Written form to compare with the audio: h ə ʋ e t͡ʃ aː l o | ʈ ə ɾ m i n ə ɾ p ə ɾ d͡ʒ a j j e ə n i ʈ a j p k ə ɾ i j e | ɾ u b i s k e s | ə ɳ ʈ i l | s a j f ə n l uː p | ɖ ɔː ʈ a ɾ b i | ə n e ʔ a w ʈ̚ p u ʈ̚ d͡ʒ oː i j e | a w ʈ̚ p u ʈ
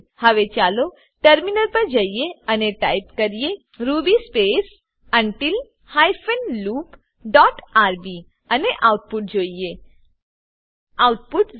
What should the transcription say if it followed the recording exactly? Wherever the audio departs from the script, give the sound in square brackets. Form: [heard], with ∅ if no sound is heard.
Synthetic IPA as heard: h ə ʋ e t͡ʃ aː l o | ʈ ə ɾ m i n ə ɾ p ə ɾ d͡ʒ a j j e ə n [e] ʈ a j p k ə ɾ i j e | ɾ u b i s [p] e s | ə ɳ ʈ i l | [h] a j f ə n l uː p | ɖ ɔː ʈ a ɾ b i | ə n e ʔ a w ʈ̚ p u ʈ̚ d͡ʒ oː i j e | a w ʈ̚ p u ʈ